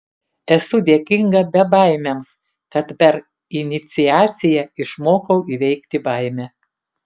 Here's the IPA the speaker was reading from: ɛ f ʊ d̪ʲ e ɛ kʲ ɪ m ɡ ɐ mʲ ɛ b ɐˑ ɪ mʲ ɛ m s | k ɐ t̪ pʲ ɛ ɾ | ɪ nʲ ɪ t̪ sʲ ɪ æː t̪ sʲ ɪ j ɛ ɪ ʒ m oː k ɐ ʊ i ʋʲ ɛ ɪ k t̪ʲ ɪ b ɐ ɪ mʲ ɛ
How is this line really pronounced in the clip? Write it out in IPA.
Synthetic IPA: ɛ s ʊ d̪ʲ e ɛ kʲ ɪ ŋ ɡ ɐ bʲ ɛ b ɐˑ ɪ mʲ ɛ m s | k ɐ t̪ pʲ ɛ ɾ | ɪ nʲ ɪ t̪ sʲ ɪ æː t̪ sʲ ɪ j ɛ ɪ ʃ m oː k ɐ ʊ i ʋʲ ɛ ɪ k t̪ʲ ɪ b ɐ ɪ mʲ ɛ